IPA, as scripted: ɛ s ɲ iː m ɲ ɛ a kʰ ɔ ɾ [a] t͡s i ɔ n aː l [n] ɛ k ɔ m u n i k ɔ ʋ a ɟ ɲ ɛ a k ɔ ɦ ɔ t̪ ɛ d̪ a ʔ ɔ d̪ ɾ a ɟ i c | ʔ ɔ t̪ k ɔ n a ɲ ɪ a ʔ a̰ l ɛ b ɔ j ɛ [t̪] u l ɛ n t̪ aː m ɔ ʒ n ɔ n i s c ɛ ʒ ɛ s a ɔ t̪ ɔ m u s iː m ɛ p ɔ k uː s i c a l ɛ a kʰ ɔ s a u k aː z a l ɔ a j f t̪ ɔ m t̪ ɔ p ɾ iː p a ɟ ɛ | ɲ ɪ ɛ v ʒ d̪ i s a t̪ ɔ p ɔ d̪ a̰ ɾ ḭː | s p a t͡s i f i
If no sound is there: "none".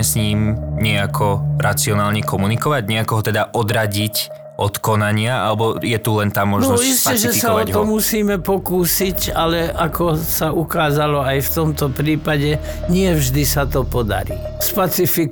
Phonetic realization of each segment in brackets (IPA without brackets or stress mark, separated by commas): a, ɲ, t̪